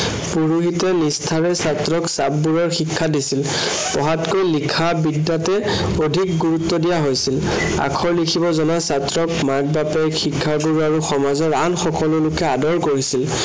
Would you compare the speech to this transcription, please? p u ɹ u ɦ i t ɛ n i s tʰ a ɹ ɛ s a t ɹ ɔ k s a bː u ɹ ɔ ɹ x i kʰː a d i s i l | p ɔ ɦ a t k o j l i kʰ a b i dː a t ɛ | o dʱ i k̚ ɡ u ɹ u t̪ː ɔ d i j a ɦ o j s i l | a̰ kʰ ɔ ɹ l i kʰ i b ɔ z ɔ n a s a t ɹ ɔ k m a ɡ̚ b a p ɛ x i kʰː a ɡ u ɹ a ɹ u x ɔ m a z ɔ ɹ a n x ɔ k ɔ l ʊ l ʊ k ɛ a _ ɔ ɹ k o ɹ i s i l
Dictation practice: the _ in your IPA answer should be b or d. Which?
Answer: d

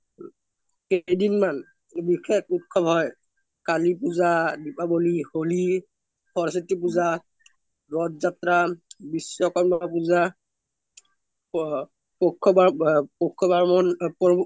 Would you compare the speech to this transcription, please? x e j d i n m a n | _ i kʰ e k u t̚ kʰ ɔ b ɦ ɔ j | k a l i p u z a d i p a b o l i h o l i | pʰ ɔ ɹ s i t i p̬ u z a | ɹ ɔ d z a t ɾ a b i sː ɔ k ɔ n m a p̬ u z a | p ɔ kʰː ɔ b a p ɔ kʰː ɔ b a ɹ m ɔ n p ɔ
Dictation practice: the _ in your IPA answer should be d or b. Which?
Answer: b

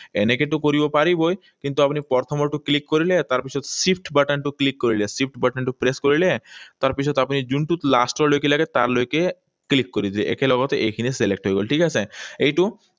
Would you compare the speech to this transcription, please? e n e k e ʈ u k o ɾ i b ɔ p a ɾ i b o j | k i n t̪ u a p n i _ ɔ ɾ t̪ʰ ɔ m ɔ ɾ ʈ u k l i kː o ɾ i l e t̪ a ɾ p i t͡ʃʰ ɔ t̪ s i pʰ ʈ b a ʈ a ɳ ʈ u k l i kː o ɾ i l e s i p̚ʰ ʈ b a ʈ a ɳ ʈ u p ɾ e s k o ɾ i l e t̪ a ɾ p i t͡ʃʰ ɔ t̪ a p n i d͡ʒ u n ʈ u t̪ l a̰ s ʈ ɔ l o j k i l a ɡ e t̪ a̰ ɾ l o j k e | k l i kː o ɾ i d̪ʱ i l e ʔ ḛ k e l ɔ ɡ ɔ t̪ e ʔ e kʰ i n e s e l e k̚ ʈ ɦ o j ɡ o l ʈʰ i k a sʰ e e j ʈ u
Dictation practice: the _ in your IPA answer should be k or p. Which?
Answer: p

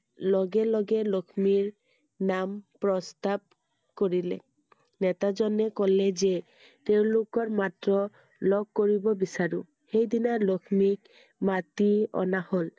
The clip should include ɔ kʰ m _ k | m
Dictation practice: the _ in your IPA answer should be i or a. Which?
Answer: i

